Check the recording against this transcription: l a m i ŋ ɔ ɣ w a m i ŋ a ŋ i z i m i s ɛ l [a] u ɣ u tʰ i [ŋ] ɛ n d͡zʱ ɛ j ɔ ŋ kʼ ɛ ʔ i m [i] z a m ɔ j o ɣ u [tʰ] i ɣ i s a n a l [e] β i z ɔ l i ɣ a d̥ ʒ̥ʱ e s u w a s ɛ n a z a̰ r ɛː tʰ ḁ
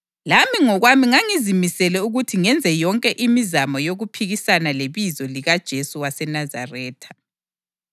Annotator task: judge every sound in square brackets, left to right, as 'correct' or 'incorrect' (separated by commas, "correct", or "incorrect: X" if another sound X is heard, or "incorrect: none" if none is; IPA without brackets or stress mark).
incorrect: ɛ, correct, correct, incorrect: pʰ, correct